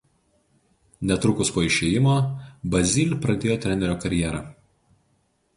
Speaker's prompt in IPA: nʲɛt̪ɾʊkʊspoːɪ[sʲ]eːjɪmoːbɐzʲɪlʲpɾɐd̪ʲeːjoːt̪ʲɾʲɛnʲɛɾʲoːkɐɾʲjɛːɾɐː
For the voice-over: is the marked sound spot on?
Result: no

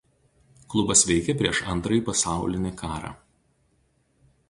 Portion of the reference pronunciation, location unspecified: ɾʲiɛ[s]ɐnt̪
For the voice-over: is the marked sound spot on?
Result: no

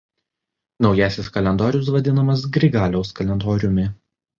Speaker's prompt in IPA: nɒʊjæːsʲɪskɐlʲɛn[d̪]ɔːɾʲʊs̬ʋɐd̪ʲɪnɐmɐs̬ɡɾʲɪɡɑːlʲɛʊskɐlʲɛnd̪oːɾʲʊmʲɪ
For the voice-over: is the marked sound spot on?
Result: yes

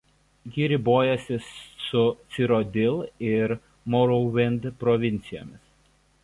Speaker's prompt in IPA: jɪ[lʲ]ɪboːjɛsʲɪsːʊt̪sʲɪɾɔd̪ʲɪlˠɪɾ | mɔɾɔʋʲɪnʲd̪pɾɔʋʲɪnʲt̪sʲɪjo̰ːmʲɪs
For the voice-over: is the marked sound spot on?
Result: no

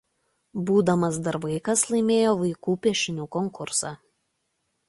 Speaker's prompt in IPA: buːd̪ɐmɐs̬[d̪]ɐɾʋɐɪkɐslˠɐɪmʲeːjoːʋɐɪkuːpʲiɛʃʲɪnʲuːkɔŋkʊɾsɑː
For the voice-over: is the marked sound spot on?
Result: yes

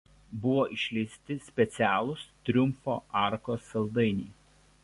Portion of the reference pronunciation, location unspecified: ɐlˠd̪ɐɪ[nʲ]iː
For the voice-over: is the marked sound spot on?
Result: yes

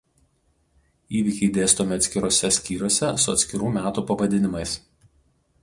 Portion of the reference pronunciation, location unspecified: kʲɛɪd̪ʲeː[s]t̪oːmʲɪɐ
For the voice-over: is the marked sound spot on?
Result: yes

